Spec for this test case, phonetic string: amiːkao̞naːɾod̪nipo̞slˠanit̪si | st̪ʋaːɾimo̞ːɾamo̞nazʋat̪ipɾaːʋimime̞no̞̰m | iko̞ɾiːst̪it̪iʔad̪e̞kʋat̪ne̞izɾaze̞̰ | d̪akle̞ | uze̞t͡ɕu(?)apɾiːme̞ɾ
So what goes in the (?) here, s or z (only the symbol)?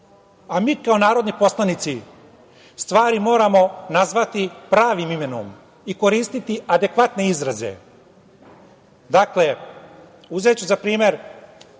z